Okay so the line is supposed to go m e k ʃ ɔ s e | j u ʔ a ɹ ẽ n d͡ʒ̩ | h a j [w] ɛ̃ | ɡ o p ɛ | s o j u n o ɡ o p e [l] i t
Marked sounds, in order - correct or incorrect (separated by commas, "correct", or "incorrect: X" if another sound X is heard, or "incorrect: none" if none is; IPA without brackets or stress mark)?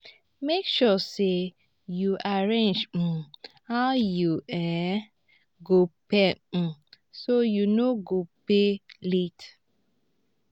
incorrect: u, correct